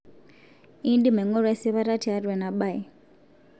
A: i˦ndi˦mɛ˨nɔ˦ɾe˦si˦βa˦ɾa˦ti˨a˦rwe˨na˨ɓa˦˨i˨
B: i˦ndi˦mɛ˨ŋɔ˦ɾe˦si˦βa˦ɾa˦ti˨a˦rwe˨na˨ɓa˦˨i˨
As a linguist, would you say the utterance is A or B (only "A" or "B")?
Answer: B